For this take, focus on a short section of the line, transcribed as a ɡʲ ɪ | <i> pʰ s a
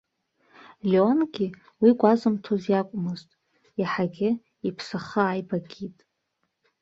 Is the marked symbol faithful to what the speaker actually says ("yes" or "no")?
yes